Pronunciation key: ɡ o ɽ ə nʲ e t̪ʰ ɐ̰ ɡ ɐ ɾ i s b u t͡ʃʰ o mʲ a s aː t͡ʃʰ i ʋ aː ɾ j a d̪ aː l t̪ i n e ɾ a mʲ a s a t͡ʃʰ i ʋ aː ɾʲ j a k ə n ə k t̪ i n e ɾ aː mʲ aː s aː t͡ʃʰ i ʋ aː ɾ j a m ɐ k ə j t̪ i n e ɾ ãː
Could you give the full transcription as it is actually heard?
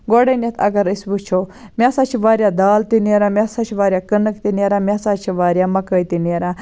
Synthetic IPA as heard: ɡ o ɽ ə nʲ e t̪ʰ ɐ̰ ɡ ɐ ɾ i s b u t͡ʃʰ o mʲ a s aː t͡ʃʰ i ʋ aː ɾ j a d̪ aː l t̪ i n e ɾ a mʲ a s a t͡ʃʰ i ʋ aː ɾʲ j a k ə n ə k t̪ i n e ɾ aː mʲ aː s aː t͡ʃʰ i ʋ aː ɾ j a m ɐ k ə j t̪ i n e ɾ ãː

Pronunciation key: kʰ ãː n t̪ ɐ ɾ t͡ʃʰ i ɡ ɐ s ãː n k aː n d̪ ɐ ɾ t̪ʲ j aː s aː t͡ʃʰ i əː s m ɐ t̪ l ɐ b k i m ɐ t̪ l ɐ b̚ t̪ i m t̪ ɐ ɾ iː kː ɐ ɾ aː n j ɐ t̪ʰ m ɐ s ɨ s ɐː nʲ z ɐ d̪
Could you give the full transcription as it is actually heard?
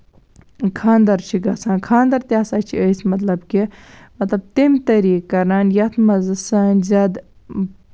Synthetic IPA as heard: kʰ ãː n d̪ ɐ ɾ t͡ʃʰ i ɡ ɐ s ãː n kʰ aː n d̪ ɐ ɾ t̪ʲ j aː s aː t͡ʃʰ i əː s m ɐ t̪ l ɐ b k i m ɐ t̪ l ɐ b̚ t̪ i m t̪ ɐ ɾ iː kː ɐ ɾ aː n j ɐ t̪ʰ m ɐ z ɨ s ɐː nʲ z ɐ d̪

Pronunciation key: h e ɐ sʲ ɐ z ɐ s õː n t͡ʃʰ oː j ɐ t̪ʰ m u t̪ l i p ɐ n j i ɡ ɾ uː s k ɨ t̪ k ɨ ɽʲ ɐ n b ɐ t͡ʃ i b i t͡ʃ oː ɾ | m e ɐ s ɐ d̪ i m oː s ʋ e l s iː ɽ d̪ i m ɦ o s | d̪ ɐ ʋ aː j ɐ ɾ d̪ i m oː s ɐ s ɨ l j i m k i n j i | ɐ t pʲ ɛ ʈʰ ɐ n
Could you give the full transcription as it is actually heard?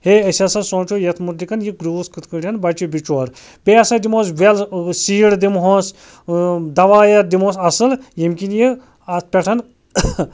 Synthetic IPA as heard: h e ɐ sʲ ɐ s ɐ s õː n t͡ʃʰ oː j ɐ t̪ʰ m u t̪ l i k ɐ n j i ɡ ɾ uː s k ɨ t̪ k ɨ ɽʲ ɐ n b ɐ t͡ʃ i b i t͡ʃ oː ɾ | b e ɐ s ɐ d̪ i m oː s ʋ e l s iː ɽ d̪ i m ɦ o s | d̪ ɐ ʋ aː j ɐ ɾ d̪ i m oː s ɐ s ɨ l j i m k i n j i | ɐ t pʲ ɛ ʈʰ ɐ n

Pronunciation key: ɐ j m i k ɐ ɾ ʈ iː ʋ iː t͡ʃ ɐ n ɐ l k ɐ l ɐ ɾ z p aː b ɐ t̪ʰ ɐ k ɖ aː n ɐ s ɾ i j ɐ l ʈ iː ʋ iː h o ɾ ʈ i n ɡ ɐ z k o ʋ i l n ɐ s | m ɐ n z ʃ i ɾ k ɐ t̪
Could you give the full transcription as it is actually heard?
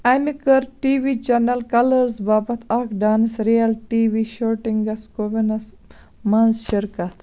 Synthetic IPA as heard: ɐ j m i k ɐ ɾ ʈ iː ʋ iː t͡ʃ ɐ n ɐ l k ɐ l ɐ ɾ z b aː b ɐ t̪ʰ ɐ k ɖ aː n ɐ s ɾ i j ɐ l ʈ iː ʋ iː ʃ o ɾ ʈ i ŋ ɡ ɐ s k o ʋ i n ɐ s | m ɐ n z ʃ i ɾ k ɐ t̪

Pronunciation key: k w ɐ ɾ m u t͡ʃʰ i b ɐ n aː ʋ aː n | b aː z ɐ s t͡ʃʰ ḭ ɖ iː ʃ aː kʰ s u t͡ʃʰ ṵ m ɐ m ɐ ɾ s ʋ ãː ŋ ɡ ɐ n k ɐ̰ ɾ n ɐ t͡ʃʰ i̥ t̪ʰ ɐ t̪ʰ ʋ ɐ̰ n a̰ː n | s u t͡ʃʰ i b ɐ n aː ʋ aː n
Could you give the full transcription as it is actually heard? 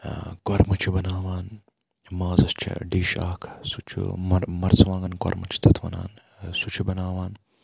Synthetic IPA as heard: k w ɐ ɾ m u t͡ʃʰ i b ɐ n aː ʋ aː n | m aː z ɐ s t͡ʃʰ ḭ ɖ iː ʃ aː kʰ s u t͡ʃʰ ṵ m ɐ m ɐ ɾ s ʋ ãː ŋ ɡ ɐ n k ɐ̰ ɾ m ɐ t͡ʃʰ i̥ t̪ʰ ɐ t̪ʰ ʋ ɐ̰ n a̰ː n | s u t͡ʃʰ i b ɐ n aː ʋ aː n

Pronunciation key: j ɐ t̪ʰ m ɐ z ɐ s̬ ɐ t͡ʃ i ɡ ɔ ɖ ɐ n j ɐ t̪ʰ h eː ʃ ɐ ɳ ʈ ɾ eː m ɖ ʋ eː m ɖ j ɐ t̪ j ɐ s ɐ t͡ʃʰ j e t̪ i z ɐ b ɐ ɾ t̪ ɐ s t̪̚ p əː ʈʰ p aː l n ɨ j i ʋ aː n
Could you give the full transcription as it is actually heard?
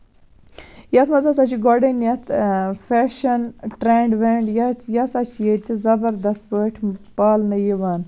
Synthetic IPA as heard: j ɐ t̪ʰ m ɐ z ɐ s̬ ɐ t͡ʃ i ɡ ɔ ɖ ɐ n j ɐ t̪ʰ f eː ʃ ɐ n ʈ ɾ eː ɳ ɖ ʋ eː ɳ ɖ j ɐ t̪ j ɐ s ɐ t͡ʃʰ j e t̪ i z ɐ b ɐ ɾ d̪ ɐ s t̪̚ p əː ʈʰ p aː l n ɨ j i ʋ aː n

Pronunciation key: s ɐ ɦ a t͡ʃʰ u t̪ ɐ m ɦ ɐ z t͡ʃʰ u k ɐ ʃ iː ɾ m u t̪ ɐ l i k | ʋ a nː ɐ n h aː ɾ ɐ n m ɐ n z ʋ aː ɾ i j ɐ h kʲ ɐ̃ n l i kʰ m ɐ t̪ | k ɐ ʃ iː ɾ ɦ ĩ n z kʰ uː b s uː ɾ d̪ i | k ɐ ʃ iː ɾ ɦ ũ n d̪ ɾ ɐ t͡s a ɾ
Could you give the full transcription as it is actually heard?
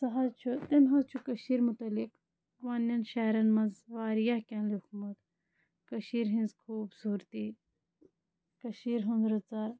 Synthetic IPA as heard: s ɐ ɦ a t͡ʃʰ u t̪ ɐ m ɦ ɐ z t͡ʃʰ u k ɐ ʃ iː ɾ m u t̪ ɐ l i k | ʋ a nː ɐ n ʃ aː ɾ ɐ n m ɐ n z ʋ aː ɾ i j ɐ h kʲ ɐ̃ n l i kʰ m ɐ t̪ | k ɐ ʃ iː ɾ ɦ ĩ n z kʰ uː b s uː ɾ t̪ i | k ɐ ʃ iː ɾ ɦ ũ n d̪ ɾ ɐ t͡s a ɾ

